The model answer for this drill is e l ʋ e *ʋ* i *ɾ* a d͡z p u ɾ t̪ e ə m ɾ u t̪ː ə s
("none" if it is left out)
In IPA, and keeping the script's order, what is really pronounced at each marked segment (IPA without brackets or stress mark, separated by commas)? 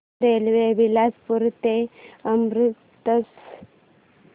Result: ʋ, l